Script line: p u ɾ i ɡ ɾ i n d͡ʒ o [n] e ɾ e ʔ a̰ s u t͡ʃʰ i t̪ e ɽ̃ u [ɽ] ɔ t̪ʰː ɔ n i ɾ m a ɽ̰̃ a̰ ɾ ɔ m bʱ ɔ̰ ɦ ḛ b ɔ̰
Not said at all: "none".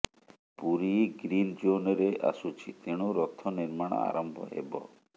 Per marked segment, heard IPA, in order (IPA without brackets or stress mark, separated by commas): n, ɾ